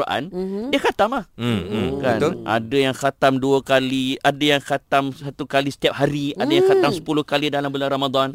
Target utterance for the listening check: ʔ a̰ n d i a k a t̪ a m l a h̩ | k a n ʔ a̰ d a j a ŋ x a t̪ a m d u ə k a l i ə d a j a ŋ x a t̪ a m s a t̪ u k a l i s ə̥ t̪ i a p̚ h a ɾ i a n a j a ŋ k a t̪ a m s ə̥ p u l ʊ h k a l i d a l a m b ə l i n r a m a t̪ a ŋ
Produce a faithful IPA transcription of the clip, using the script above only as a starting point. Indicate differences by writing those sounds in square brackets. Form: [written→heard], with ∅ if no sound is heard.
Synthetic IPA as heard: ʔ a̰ n d i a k a t̪ a m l a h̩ | k a n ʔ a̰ d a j a ŋ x a t̪ a m d u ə k a l i [ə→a] d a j a ŋ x a t̪ a m s a t̪ u k a l i s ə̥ t̪ i a p̚ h a ɾ i a [n→d] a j a ŋ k a t̪ a m s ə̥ p u l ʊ h k a l i d a l a m b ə l [i→a] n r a m a [t̪→d̪] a [ŋ→n]